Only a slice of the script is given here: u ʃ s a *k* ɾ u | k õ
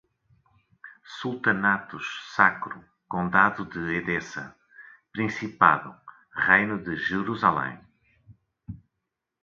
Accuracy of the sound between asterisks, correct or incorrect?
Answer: correct